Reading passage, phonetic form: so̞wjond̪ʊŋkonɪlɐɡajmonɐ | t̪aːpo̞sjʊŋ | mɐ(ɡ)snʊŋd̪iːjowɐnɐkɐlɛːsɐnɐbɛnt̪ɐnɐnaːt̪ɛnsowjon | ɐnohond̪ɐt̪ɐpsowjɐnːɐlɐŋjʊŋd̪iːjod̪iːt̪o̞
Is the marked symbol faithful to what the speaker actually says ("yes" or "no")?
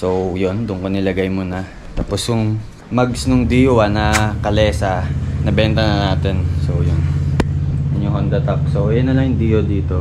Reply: yes